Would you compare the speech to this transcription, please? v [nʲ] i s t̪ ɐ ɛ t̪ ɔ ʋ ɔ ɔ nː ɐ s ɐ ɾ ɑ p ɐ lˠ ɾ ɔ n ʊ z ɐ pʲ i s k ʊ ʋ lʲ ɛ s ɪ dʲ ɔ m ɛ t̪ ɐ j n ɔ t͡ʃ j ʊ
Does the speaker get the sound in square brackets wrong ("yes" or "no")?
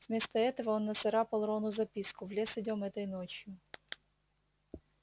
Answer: yes